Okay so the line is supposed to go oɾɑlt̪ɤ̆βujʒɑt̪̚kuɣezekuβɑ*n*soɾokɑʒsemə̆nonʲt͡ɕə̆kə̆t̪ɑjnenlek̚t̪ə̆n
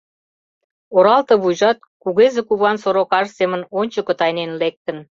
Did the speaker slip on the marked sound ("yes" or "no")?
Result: no